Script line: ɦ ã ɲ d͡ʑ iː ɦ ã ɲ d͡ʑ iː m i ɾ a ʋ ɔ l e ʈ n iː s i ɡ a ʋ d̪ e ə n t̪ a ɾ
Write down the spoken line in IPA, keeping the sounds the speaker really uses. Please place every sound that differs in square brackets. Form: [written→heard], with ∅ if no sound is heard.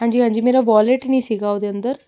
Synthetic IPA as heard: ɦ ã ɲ d͡ʑ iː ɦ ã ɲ d͡ʑ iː m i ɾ a ʋ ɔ l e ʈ n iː s i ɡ a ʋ d̪ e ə n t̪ [a→ə] ɾ